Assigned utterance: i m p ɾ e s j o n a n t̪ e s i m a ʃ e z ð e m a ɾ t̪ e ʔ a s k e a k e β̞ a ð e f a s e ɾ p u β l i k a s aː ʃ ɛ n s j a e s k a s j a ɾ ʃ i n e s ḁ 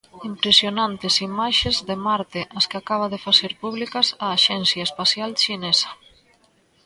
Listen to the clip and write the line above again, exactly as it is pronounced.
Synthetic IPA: i m p ɾ e s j o n a n t̪ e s i m a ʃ e z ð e m a ɾ t̪ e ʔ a s k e a k a β̞ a ð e f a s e ɾ p u β l i k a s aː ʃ ɛ n s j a e s p a s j a l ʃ i n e s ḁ